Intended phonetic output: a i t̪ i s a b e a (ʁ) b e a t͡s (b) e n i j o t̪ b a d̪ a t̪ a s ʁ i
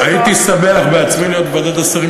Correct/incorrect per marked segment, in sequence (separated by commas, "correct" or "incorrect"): incorrect, incorrect